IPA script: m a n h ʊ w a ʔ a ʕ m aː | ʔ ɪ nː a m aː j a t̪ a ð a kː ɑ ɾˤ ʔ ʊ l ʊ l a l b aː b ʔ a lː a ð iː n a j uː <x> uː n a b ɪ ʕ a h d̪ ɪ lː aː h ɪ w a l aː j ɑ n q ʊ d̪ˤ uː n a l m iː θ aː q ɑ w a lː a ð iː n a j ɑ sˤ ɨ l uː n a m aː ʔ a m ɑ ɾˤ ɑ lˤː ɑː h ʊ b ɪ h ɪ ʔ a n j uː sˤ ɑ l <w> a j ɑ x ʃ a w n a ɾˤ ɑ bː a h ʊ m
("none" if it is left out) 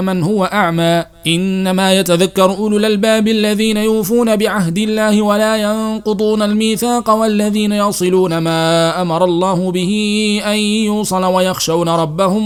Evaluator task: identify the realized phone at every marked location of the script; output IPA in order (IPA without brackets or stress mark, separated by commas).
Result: f, w